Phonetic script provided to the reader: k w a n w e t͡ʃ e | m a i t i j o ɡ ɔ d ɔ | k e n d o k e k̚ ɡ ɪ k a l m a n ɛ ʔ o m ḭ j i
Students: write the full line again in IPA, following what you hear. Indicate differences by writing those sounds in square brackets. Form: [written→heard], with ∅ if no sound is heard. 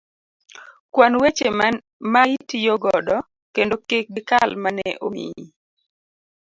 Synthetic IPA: k w a n w e t͡ʃ e | m a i t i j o ɡ ɔ d ɔ | k e n d o k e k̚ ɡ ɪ k a l m a n ɛ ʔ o m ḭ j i